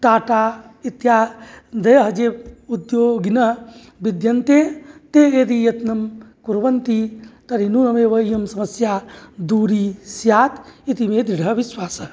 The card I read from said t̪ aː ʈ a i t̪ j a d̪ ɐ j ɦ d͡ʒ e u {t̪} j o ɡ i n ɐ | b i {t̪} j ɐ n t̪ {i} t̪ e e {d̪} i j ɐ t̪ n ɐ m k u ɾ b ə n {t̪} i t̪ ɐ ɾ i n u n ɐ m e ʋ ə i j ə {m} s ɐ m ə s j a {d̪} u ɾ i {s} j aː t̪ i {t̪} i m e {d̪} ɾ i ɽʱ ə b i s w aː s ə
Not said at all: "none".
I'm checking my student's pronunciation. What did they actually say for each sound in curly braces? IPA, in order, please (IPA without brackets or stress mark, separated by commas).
d̪, d̪, e, d̪, t̪, m, d̪, s, t̪, d̪